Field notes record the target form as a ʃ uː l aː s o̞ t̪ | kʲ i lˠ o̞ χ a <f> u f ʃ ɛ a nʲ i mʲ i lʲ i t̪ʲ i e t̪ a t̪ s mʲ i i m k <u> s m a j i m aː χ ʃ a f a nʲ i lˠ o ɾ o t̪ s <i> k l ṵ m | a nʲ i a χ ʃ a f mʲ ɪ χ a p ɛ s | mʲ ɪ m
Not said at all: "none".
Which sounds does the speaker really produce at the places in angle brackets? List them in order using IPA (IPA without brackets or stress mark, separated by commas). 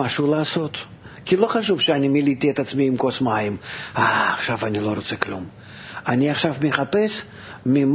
ʃ, o, ɛ